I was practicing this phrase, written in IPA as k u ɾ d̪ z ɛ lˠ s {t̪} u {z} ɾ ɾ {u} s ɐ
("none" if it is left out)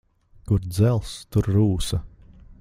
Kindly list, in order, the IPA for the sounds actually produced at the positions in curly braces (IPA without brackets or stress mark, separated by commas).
t̪, none, uː